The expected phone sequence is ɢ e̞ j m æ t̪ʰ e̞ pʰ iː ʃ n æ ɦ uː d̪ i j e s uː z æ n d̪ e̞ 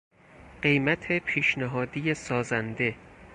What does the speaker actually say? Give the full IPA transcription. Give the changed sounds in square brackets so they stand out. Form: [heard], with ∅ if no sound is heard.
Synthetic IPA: ɢ e̞ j m æ t̪ʰ e̞ pʰ iː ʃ n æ ɦ [ɒː] d̪ i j e s [ɒː] z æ n d̪ e̞